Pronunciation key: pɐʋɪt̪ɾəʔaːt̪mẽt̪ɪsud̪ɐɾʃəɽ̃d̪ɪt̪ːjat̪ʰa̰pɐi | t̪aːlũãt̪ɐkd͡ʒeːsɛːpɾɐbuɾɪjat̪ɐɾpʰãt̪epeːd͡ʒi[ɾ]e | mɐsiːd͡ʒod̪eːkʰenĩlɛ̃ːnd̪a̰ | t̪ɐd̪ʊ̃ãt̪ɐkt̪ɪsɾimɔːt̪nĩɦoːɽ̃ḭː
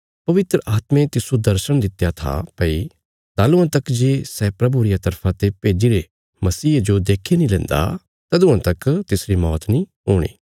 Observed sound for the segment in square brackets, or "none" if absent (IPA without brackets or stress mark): ɾ